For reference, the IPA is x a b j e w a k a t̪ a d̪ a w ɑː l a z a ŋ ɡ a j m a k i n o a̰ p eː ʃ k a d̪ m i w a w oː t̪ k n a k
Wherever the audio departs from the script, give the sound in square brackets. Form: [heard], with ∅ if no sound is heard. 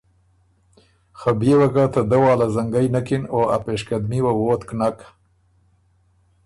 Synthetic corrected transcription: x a b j e w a k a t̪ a d̪ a w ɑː l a z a ŋ ɡ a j [n] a k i n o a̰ p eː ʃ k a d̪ m i w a w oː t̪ k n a k

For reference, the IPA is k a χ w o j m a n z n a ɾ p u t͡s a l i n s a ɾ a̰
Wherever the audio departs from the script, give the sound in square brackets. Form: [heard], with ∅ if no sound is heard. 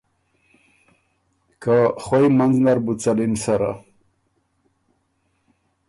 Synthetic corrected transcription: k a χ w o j m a n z n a ɾ [b] u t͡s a l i n s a ɾ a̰

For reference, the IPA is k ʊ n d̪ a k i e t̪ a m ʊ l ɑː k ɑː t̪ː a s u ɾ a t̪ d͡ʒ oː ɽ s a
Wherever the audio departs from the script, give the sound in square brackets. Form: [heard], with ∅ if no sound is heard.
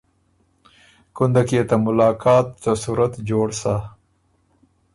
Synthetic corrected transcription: k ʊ n d̪ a k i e t̪ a m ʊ l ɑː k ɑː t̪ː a s u ɾ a t̪ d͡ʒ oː ɽ s a

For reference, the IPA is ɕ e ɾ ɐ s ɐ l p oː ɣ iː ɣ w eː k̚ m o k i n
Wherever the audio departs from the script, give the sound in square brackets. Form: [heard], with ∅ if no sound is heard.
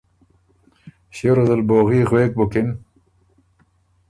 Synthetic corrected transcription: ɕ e ɾ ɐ [z] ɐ l [b] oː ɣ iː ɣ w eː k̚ [b] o k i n

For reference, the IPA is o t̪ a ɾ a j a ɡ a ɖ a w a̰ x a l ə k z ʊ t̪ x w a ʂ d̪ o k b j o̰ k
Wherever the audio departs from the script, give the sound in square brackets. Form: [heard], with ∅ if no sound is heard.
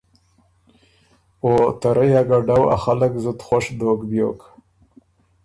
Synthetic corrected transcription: o t̪ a ɾ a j a ɡ a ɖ a w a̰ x a l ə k z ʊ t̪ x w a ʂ d̪ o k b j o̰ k

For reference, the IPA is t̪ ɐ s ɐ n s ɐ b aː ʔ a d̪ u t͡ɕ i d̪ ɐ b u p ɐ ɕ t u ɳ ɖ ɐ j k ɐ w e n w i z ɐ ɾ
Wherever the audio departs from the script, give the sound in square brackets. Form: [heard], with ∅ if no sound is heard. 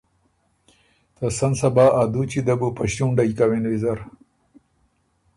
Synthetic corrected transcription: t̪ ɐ s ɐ n s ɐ b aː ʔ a d̪ u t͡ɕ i d̪ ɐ b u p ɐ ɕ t u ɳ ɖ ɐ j k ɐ w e n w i z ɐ ɾ

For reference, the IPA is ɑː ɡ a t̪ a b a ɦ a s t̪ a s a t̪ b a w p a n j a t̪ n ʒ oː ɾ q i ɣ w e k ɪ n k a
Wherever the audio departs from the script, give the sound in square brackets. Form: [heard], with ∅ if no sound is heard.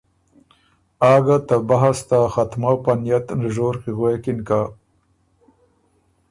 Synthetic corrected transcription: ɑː ɡ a t̪ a b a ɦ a s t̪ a [x] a t̪ [m] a w p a n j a t̪ n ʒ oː ɾ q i ɣ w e k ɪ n k a

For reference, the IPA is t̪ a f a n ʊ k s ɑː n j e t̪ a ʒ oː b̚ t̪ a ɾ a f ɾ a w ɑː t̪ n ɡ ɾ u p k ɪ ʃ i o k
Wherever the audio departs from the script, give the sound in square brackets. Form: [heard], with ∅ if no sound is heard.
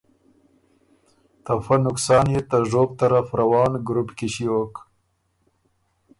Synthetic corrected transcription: t̪ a f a n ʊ k s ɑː n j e t̪ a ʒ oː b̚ t̪ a ɾ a f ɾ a w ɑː [∅] n ɡ ɾ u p k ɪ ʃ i o k

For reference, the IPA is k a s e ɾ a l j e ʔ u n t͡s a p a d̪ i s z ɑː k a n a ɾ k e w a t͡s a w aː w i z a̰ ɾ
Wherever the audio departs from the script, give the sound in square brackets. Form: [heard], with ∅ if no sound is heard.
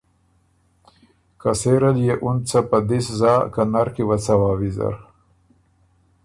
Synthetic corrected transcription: k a s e ɾ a l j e ʔ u n t͡s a p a d̪ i s z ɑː k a n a ɾ k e w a t͡s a w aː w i z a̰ ɾ

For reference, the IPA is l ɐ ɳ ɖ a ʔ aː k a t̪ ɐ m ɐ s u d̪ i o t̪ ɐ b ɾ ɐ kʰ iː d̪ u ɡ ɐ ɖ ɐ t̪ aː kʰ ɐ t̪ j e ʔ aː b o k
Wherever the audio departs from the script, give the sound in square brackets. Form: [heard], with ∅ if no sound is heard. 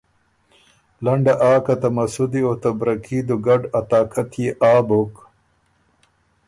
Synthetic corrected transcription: l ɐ ɳ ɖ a ʔ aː k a t̪ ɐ m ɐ s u d̪ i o t̪ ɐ b ɾ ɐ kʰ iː d̪ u ɡ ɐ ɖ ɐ t̪ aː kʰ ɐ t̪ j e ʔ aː b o k

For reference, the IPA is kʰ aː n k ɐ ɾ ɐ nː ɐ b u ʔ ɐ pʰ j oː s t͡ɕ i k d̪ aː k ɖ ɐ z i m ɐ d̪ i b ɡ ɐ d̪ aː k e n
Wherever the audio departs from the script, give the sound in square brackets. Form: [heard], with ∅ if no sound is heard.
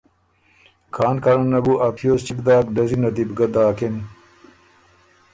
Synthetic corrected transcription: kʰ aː n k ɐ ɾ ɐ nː ɐ b u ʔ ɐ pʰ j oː s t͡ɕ i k d̪ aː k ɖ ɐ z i [n] ɐ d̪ i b ɡ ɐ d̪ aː k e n

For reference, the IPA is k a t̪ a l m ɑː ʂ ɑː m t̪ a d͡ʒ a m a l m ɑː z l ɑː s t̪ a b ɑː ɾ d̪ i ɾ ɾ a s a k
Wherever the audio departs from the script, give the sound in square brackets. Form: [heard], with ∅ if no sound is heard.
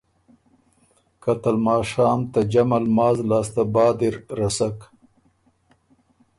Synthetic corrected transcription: k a t̪ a l m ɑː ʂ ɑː m t̪ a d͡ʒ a m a l m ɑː z l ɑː s t̪ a b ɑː [∅] d̪ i ɾ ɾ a s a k

